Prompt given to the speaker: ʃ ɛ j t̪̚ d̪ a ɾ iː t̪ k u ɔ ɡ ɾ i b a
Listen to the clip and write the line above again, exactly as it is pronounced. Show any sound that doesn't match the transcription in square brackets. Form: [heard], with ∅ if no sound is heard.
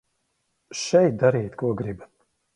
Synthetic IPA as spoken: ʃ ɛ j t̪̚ d̪ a ɾ iː t̪ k u ɔ ɡ ɾ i b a